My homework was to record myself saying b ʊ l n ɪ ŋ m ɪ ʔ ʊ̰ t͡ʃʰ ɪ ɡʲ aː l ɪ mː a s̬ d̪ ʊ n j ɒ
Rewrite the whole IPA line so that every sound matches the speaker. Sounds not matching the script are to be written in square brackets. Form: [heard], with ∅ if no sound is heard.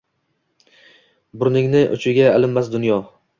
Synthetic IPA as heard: b ʊ [ɾ] n ɪ ŋ [n] ɪ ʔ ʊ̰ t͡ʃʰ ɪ ɡʲ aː l ɪ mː a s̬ d̪ ʊ n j ɒ